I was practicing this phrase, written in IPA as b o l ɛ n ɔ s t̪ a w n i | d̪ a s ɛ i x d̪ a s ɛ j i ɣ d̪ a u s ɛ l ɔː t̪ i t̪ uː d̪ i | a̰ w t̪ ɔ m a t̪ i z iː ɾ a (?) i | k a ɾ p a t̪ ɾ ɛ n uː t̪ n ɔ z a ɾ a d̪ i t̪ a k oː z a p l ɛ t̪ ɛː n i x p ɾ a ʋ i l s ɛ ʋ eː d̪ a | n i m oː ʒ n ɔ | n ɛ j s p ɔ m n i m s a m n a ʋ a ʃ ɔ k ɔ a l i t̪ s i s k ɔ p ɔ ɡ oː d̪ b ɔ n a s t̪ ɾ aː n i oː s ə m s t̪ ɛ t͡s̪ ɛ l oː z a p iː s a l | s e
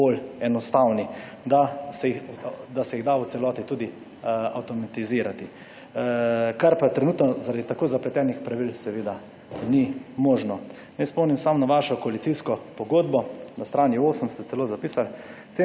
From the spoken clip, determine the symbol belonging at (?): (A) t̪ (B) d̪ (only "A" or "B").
A